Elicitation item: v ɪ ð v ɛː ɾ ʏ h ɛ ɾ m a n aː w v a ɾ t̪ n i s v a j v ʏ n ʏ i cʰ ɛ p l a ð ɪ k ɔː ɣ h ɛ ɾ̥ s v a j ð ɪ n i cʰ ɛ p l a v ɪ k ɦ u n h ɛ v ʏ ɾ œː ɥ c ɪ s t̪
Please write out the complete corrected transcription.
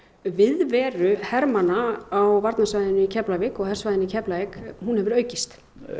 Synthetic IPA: v ɪ ð v ɛː ɾ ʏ h ɛ ɾ m a n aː w v a ɾ t̪ n a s v a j ð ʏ n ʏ i cʰ ɛ p l a v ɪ k ɔ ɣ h ɛ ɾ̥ s v a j ð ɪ n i cʰ ɛ p l a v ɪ k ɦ u n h ɛ v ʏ ɾ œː ɥ c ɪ s t̪